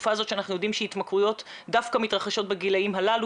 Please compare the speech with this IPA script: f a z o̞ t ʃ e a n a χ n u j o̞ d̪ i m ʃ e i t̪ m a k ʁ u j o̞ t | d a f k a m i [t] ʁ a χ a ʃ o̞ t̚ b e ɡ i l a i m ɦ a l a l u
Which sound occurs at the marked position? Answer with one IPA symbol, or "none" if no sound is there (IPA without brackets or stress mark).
t